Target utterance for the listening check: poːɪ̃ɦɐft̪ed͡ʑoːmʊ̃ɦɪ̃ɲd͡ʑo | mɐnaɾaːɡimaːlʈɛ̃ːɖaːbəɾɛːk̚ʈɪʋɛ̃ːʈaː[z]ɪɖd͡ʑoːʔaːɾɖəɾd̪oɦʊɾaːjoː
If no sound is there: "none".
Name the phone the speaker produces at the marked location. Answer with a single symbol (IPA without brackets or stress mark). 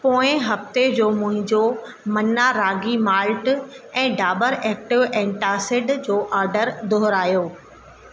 s